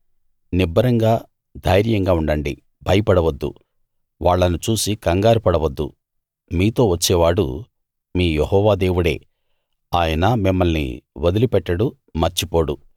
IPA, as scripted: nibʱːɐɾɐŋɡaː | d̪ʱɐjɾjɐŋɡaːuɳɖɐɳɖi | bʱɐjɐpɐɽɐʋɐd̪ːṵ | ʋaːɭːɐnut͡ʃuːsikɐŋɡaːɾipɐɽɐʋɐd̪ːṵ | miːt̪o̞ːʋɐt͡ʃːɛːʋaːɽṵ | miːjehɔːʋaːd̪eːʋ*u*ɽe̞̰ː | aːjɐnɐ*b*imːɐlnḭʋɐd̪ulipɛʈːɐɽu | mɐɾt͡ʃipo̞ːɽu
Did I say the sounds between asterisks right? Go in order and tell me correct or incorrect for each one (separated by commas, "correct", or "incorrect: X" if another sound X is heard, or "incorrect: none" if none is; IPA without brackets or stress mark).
correct, incorrect: m